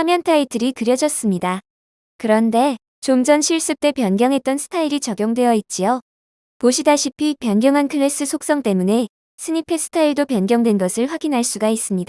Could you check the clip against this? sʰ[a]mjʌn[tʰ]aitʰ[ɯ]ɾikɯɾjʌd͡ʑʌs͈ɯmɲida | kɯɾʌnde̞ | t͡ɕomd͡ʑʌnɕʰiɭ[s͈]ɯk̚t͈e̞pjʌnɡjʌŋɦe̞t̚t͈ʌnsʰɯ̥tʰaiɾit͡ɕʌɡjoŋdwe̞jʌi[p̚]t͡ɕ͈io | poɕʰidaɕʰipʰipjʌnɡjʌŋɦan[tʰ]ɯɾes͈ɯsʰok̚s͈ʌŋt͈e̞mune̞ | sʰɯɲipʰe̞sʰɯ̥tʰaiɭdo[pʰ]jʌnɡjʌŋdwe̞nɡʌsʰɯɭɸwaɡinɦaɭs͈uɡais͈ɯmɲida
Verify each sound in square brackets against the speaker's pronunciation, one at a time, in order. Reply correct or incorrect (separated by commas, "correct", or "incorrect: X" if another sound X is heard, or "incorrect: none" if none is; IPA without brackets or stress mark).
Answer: correct, correct, correct, correct, incorrect: t̚, incorrect: kʰ, incorrect: p